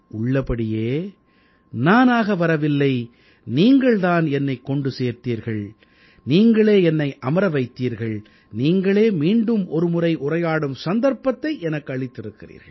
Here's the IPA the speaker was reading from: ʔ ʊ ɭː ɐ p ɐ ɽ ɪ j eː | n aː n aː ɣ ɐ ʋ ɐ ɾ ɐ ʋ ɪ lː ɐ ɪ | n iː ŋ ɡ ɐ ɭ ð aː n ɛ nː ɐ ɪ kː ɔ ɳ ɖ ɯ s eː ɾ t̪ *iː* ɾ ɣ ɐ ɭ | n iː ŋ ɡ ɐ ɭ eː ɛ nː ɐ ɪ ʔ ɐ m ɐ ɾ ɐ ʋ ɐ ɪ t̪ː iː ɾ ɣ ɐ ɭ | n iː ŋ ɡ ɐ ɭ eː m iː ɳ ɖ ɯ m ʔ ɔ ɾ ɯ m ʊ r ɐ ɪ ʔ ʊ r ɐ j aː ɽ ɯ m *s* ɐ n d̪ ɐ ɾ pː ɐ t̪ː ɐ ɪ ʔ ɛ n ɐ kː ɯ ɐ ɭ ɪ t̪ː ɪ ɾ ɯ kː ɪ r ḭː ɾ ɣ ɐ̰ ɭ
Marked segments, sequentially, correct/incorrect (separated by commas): correct, correct